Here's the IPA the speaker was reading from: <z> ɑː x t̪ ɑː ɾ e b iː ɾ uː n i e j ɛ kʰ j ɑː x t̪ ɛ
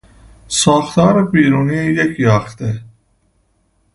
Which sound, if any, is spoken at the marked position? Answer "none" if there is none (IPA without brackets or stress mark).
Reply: s